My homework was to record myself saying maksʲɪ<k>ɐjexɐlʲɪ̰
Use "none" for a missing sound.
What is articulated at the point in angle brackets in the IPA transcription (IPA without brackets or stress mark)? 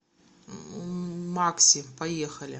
p